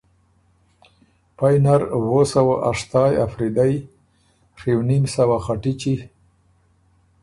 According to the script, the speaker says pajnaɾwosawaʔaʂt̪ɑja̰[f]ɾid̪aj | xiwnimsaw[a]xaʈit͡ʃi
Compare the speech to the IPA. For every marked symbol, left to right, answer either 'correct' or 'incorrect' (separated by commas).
correct, correct